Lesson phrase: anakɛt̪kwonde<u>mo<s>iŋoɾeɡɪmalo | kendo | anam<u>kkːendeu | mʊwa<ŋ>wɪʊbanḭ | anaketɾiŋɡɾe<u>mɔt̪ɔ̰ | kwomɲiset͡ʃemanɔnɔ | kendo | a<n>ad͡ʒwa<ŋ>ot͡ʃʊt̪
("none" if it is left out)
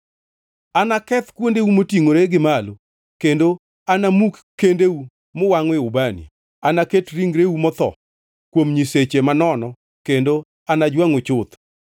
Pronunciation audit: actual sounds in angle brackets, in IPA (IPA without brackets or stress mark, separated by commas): u, t, u, ŋ, u, n, ŋ